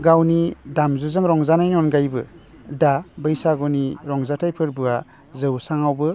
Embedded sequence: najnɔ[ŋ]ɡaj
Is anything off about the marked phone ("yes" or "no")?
yes